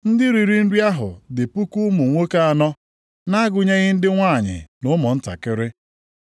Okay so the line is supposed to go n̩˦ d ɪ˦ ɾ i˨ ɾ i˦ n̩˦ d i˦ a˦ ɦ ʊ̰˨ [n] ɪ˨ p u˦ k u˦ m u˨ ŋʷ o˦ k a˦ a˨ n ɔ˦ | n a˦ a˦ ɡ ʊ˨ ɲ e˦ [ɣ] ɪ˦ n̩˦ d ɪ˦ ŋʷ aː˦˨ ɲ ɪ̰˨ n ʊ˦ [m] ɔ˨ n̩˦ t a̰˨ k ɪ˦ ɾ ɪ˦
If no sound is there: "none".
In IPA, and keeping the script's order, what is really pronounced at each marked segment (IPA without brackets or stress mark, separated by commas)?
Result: d, ɣ, m